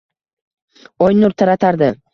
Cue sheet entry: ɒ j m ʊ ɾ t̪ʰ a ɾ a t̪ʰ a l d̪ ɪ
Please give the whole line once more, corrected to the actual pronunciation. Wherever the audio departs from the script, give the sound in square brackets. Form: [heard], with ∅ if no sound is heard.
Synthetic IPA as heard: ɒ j [n] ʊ ɾ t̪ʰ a ɾ a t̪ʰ a [ɾ] d̪ ɪ